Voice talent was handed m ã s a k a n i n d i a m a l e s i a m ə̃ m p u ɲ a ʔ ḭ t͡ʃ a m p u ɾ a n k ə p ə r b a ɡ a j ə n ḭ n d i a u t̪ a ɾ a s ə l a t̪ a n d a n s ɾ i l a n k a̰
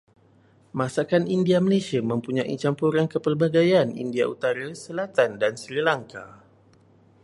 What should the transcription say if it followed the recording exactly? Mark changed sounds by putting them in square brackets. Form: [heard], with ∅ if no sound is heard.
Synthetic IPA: m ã s a k a n i n d i a m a l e s i a m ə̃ m p u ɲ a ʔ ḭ t͡ʃ a m p u ɾ a n k ə p ə r b a ɡ a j [a] n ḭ n d i a u t̪ a ɾ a s ə l a t̪ a n d a n s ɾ i l a [ŋ] k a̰